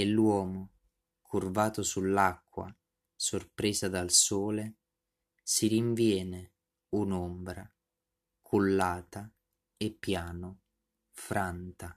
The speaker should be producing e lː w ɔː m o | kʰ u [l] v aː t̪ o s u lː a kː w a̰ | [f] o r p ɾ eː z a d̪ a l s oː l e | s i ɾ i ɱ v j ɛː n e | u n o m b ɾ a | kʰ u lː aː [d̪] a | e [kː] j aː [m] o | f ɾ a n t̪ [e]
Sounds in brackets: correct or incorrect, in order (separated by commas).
incorrect, incorrect, incorrect, incorrect, incorrect, incorrect